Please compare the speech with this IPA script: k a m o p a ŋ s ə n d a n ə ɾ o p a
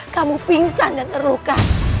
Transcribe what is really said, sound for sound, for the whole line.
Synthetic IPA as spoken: k a m u p i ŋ s a n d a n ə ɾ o k a